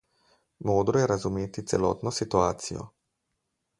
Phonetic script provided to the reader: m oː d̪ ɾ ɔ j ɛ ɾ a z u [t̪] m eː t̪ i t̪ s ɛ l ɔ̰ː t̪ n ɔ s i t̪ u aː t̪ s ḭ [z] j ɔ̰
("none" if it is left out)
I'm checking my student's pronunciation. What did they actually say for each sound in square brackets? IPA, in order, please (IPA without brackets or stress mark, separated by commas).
none, none